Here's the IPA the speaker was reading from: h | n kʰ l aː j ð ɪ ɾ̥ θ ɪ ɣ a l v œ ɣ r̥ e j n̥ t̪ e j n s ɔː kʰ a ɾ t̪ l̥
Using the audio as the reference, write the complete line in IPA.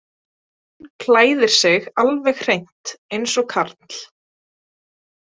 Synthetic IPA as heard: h | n kʰ l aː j ð ɪ ɾ̥ s ɪ ɣ a l v ɛ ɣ r̥ e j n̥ t̪ e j n s ɔ kʰ a ɾ t̪ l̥